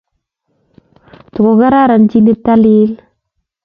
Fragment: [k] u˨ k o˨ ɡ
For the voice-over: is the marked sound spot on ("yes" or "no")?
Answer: no